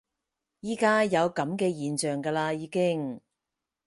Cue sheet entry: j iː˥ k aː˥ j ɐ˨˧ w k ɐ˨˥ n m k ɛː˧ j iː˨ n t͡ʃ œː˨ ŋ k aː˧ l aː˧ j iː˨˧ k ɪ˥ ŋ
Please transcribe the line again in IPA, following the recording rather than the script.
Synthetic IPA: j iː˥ k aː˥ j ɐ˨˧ w k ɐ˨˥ m k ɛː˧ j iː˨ n t͡ʃ œː˨ ŋ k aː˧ l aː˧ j iː˨˧ k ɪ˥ ŋ